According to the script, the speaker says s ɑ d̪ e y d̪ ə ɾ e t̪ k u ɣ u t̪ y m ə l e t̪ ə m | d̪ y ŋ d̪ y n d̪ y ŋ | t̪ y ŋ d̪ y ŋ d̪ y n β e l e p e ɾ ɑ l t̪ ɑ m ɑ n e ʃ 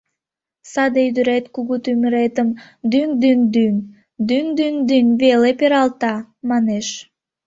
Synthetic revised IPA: s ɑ d̪ e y d̪ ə ɾ e t̪ k u ɣ u t̪ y m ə ɾ e t̪ ə m | d̪ y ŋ d̪ y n d̪ y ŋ | d̪ y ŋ d̪ y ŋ d̪ y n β e l e p e ɾ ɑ l t̪ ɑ m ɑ n e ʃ